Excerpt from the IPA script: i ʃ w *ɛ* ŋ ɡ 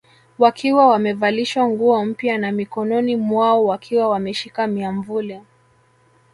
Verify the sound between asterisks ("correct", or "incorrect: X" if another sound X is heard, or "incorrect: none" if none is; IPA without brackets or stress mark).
incorrect: a